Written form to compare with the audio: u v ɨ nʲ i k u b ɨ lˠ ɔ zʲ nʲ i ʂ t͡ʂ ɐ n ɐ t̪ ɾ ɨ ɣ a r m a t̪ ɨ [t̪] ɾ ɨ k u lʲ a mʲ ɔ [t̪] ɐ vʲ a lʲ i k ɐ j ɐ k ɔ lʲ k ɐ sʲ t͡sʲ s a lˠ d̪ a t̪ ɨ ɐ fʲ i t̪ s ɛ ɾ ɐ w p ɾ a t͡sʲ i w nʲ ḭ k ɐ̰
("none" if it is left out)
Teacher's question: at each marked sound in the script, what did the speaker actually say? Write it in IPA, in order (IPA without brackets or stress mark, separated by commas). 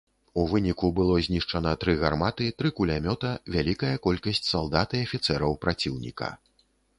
t̪, t̪